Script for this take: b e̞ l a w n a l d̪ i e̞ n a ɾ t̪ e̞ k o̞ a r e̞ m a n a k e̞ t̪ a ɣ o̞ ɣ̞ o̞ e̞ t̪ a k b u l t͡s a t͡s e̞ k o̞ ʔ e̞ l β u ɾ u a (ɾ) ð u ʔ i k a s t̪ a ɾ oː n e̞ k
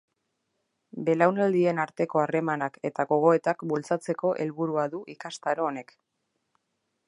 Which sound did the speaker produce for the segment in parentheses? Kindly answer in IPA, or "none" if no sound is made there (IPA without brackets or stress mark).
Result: none